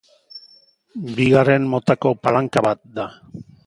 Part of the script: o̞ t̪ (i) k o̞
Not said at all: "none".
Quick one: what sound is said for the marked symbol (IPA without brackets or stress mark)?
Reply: a